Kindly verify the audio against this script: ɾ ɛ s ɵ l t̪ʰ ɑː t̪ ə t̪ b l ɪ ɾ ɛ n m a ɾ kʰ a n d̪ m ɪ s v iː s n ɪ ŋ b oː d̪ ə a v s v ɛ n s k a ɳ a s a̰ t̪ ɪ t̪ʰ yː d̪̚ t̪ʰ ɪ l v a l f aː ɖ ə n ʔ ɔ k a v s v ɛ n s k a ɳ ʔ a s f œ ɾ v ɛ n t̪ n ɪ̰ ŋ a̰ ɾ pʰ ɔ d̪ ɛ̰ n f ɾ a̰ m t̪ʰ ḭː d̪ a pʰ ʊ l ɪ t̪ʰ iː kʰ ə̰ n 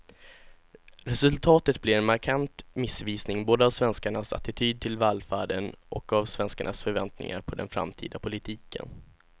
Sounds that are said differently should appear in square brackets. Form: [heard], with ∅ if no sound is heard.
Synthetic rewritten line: ɾ ɛ s ɵ l t̪ʰ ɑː t̪ ə t̪ b l ɪ ɾ ɛ n m a ɾ kʰ a n [t̪] m ɪ s v iː s n ɪ ŋ b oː d̪ ə a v s v ɛ n s k a ɳ a s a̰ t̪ ɪ t̪ʰ yː d̪̚ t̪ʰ ɪ l v a l f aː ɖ ə n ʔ ɔ k a v s v ɛ n s k a ɳ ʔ a s f œ ɾ v ɛ n t̪ n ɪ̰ ŋ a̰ ɾ pʰ ɔ d̪ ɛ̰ n f ɾ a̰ m t̪ʰ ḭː d̪ a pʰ ʊ l ɪ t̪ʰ iː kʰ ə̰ n